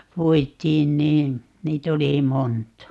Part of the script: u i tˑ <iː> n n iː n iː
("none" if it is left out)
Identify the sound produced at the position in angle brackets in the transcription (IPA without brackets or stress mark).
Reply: iː